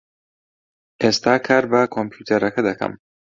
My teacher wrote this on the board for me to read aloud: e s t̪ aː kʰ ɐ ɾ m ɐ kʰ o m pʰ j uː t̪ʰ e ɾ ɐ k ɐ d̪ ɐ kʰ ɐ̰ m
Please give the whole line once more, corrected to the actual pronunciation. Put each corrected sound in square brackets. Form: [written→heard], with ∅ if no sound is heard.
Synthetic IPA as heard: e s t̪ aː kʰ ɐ ɾ [m→b] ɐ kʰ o m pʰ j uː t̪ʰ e ɾ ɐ k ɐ d̪ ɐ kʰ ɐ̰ m